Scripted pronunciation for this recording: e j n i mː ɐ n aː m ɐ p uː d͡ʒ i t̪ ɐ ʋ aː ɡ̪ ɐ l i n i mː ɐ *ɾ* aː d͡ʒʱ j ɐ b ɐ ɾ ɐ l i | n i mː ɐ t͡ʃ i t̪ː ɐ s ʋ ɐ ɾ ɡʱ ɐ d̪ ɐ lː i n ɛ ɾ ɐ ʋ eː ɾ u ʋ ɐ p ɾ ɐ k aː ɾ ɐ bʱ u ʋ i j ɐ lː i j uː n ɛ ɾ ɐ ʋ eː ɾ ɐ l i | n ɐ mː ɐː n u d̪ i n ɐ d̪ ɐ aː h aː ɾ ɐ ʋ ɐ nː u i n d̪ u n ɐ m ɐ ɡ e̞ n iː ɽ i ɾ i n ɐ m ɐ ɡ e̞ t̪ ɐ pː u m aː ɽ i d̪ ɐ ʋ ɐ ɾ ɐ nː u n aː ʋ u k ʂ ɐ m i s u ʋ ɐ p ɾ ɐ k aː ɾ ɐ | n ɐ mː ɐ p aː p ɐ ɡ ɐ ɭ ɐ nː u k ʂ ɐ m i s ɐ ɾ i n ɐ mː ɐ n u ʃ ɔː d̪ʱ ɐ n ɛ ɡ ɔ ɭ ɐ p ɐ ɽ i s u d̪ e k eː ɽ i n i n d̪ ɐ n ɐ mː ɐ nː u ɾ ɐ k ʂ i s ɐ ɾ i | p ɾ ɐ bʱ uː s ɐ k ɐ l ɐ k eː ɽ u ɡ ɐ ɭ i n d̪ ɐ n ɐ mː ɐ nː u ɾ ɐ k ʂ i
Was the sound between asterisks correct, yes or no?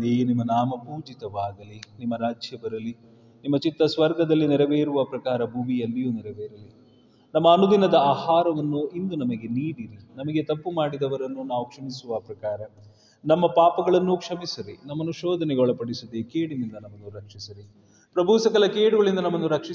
yes